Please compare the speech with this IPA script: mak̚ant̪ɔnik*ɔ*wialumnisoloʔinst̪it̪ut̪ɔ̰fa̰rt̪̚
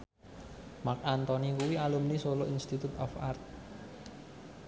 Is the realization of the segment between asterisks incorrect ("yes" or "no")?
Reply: yes